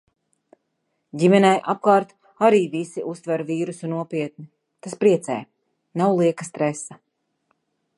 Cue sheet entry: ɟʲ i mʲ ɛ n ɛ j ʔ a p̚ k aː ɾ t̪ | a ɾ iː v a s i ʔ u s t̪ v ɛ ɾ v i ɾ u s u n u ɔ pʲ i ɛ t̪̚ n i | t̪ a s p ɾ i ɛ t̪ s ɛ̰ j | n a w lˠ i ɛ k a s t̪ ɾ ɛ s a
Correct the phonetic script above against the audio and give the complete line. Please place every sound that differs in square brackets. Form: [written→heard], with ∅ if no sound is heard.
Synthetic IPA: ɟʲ i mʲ ɛ n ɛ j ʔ a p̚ k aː ɾ t̪ | a ɾ iː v [a→i] s i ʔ u s t̪ v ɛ ɾ v [i→iː] ɾ u s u n u ɔ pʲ i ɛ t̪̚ n i | t̪ a s p ɾ i ɛ t̪ s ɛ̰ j | n a w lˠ i ɛ k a s t̪ ɾ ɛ s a